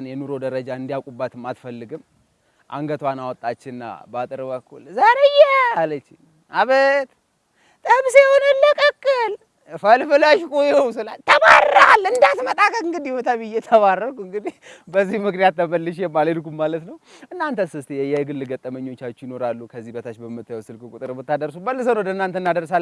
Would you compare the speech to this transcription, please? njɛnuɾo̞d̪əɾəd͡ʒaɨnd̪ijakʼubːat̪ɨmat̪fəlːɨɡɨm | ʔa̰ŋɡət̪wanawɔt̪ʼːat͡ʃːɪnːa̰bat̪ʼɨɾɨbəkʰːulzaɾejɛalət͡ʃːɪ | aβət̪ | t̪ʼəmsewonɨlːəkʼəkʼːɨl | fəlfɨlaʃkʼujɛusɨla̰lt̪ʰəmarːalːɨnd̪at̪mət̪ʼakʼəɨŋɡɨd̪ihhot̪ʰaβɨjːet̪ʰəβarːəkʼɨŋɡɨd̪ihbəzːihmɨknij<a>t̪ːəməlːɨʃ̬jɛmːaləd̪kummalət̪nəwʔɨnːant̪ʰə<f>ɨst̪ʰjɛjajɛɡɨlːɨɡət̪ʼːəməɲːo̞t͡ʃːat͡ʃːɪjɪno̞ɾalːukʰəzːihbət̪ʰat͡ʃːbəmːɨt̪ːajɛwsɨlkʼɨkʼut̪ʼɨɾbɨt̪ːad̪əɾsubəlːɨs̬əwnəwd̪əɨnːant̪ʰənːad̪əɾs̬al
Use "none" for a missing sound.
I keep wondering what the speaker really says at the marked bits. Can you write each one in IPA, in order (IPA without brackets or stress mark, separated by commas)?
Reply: a, s